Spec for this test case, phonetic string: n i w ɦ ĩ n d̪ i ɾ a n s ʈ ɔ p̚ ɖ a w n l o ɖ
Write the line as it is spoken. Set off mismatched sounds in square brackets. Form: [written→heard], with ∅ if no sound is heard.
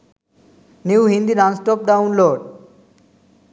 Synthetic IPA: n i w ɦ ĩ n d̪ i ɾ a n s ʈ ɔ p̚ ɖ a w n l o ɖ

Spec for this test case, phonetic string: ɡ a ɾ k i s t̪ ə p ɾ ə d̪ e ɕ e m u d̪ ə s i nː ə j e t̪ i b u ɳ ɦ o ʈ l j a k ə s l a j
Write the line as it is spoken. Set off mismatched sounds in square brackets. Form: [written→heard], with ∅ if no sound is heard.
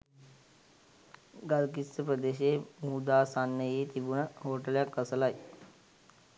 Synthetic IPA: ɡ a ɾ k i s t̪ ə p ɾ ə d̪ e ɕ e m u d̪ [ə→a] s [i→a] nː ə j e t̪ i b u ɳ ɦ o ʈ l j a k ə s l a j

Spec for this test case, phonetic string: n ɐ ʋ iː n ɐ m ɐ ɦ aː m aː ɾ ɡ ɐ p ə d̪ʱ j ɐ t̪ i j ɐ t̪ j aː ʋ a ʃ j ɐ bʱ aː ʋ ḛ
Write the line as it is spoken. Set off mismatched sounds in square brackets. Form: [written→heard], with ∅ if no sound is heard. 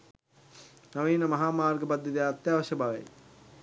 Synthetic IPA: n ɐ ʋ iː n ɐ m ɐ ɦ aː m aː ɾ ɡ ɐ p [ə→ɐ] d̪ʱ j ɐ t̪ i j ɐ t̪ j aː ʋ [a→ɐ] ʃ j ɐ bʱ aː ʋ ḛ

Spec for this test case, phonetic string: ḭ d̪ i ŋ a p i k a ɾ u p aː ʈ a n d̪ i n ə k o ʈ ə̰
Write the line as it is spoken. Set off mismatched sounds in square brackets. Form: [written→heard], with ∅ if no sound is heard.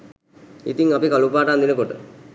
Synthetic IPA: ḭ [d̪→t̪] i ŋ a p i k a [ɾ→l] u p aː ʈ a n d̪ i n ə k o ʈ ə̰

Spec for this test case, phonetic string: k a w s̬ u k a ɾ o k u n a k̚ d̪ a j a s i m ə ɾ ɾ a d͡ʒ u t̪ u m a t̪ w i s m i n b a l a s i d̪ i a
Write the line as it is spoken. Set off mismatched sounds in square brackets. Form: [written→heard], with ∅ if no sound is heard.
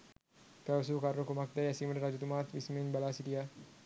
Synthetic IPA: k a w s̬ u k a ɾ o k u [n→m] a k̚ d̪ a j a s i m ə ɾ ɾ a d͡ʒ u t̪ u m a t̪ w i s m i n b a l a s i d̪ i a

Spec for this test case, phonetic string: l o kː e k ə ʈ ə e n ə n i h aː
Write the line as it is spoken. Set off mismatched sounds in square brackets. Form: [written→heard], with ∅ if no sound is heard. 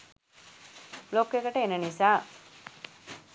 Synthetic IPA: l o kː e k ə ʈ ə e n ə n i [h→s] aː

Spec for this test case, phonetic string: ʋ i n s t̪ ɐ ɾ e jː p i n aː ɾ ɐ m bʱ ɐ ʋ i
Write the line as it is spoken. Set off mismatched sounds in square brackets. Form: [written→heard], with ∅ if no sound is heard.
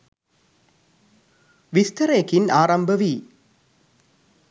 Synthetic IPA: ʋ i [n→∅] s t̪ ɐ ɾ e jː [p→k] i n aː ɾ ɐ m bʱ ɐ ʋ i

